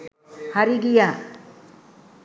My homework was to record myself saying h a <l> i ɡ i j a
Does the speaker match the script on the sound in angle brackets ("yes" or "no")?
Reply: no